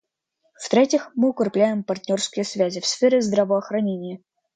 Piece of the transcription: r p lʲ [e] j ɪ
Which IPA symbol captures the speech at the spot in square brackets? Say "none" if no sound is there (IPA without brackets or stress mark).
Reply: æ